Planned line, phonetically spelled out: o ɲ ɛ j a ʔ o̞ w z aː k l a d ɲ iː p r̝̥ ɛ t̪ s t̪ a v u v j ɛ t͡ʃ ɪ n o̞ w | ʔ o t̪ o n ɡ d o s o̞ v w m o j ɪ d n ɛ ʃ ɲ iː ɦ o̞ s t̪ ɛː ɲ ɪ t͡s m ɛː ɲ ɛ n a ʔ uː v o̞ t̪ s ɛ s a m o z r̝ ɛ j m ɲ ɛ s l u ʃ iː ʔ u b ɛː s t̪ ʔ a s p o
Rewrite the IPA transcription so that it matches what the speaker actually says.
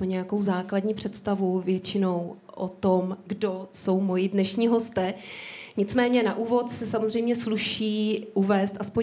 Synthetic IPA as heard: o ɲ ɛ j a k o̞ w z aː k l a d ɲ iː p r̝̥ ɛ t̪ s t̪ a v u v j ɛ t͡ʃ ɪ n o̞ w | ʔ o t̪ o m ɡ d o s o̞ w m o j ɪ d n ɛ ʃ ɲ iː ɦ o̞ s t̪ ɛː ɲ ɪ t͡s m ɛː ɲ ɛ n a ʔ uː v o̞ t̪ s ɛ s a m o z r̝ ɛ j m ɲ ɛ s l u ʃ iː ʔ u v ɛː s t̪ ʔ a s p o